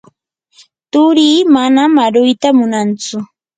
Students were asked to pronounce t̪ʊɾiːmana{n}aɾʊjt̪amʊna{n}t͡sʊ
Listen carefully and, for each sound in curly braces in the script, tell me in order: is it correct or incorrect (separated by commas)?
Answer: incorrect, correct